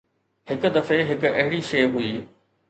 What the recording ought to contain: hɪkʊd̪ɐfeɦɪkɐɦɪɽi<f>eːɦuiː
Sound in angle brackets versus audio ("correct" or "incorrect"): incorrect